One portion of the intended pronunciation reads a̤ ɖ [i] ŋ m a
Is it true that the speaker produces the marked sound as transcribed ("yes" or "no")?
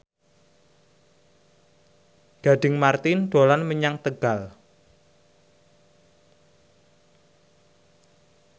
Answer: no